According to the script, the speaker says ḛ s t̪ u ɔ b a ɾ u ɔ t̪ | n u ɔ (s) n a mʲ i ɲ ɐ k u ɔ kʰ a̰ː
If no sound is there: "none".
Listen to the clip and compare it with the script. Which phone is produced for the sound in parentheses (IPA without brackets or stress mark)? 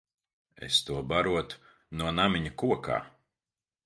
none